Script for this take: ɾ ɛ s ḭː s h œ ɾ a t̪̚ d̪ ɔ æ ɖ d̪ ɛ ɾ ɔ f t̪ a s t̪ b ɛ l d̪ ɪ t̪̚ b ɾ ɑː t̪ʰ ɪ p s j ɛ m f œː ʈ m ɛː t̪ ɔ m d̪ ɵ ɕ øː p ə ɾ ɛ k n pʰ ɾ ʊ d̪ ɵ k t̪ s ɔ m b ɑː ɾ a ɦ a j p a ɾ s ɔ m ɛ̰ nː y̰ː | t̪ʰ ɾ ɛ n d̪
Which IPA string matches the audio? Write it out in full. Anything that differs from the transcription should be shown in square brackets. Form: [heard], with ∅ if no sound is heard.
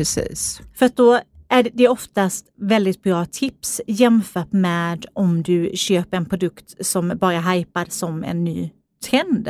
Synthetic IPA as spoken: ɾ ɛ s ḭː s [f] œ ɾ a t̪̚ d̪ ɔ æ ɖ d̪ ɛ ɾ ɔ f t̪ a s t̪ [v] ɛ l d̪ ɪ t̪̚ b ɾ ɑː t̪ʰ ɪ p s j ɛ m f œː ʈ m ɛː [d̪] ɔ m d̪ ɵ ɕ øː p ə ɾ ɛ [∅] n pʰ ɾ ʊ d̪ ɵ k t̪ s ɔ m b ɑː ɾ a ɦ a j p a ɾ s ɔ m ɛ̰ nː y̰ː | t̪ʰ ɾ ɛ n d̪